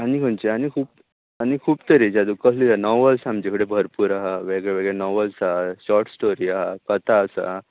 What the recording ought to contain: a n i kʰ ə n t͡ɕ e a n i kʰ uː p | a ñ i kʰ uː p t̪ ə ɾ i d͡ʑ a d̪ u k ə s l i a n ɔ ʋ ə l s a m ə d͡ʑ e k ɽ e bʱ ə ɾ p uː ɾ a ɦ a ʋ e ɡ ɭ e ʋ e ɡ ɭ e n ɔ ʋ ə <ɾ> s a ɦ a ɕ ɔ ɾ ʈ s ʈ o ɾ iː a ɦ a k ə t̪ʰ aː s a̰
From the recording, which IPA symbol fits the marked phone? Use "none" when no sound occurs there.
l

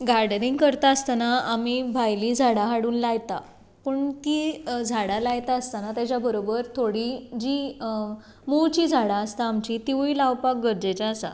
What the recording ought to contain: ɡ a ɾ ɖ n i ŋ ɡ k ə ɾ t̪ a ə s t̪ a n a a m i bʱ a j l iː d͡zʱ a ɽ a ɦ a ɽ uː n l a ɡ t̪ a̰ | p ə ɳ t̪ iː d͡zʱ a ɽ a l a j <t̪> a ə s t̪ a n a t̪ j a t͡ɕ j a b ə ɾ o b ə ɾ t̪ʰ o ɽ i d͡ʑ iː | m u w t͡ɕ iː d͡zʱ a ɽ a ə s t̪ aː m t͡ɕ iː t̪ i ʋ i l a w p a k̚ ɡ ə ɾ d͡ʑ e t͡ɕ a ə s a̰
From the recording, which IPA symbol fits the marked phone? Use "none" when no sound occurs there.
t̪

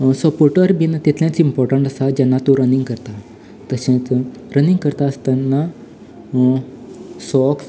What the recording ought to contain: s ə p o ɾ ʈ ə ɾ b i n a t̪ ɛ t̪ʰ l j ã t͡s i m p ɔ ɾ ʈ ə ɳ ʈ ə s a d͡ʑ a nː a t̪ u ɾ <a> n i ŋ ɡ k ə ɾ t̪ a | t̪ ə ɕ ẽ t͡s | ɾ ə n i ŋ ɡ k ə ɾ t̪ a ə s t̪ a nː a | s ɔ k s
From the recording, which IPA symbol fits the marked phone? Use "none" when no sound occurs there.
ə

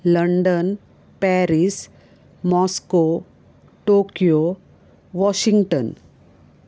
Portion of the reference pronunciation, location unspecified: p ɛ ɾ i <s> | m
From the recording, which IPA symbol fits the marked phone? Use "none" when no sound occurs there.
s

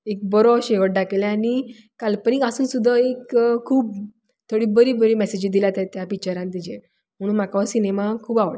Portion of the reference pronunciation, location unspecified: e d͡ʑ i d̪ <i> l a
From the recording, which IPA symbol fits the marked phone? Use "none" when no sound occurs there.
i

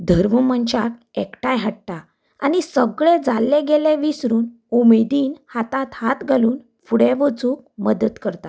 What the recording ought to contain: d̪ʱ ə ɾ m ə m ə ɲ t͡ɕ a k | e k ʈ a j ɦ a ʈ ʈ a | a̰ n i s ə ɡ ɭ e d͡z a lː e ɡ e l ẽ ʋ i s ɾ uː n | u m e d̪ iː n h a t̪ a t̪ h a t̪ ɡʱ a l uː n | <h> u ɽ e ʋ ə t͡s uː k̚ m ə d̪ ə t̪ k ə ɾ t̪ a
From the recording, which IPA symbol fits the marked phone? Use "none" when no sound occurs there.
f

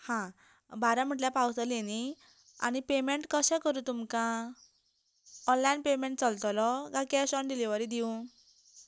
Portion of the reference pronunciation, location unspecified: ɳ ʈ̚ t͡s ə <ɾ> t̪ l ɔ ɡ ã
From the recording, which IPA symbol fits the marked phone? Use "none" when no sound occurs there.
l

